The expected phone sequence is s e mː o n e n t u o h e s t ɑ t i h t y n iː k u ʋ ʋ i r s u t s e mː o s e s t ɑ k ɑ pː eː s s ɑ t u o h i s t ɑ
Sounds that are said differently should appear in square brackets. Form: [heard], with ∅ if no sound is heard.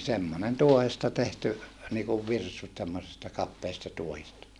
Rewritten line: s e mː o n e n t u o h e s t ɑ t [e] h t y n iː k u ʋ ʋ i r s u t s e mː o s e s t ɑ k ɑ pː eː s [t] ɑ t u o h i s t ɑ